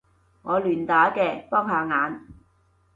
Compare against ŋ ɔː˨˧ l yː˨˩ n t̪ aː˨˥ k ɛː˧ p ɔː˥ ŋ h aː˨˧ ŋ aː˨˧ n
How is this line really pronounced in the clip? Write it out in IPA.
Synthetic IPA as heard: ŋ ɔː˨˧ l yː˨˩ n t̪ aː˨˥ k ɛː˧ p ɔː˥ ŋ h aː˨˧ ŋ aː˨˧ n